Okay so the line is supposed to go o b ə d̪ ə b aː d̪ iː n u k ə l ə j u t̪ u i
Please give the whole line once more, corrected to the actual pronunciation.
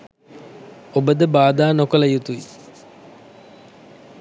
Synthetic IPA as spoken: o b ə d̪ ə b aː d̪ aː n o k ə l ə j u t̪ u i